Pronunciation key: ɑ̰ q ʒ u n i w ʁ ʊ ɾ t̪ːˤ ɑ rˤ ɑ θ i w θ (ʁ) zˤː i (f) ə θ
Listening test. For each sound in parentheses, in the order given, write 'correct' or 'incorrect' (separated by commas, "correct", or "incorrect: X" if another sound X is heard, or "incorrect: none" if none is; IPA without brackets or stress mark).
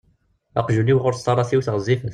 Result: correct, correct